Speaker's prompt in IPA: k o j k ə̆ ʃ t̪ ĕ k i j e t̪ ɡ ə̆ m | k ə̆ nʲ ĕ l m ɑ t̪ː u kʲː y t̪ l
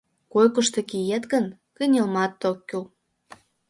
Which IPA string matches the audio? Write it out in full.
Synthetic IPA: k o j k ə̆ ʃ t̪ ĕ k i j e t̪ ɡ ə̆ n | k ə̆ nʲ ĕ l m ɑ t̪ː o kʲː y l

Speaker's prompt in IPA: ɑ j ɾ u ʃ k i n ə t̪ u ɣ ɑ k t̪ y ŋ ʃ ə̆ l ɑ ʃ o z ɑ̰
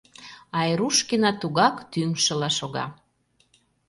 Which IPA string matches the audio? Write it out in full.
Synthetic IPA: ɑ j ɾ u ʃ k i n ɑ t̪ u ɣ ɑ k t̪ y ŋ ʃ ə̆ l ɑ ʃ o ɣ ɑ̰

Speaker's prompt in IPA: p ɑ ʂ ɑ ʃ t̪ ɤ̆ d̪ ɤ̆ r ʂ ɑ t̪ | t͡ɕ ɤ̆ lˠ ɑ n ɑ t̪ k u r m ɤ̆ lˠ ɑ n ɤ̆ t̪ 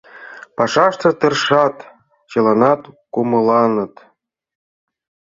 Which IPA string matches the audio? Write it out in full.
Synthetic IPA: p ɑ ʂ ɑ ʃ t̪ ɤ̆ t̪ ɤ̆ r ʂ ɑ t̪ | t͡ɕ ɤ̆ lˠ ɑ n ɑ t̪ k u m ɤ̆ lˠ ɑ n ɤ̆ t̪

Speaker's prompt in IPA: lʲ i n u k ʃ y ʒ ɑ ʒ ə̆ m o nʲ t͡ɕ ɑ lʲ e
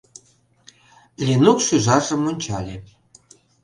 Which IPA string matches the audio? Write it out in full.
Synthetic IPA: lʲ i n u k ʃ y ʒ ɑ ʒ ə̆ m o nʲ t͡ɕ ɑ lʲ e

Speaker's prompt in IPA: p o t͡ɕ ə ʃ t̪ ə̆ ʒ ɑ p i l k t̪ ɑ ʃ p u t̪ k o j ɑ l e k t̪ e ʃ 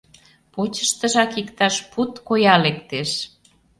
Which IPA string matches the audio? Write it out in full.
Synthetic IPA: p o t͡ɕ ə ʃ t̪ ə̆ ʒ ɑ k i k t̪ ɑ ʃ p u t̪ k o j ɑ l e k t̪ e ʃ

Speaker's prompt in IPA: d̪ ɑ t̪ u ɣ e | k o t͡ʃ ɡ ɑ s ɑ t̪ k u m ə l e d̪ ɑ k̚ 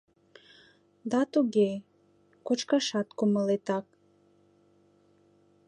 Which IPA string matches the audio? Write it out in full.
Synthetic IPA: d̪ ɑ t̪ u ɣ e | k o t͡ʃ k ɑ ʃ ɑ t̪ k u m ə l e t̪ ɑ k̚

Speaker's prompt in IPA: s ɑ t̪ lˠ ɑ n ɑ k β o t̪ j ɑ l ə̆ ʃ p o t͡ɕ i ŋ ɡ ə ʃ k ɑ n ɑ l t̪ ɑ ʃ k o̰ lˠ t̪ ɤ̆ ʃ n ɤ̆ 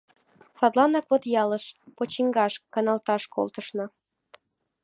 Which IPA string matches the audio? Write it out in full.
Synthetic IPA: s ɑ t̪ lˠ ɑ n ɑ k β o t̪ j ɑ l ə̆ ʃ p o t͡ɕ i ŋ ɡ ɑ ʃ k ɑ n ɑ l t̪ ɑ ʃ k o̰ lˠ t̪ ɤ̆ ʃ n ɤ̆

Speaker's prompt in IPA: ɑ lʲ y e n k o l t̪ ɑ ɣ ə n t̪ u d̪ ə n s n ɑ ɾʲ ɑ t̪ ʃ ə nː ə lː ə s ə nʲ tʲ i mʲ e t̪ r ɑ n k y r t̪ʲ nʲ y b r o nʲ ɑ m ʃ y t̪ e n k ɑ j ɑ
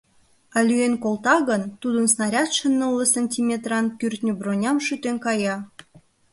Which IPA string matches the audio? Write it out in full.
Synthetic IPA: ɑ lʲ y e n k o l t̪ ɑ ɣ ə n t̪ u d̪ ə n s n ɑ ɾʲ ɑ t̪ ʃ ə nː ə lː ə s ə nʲ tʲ i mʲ e t̪ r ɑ n k y r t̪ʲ nʲ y b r o nʲ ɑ m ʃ y t̪ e n k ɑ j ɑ

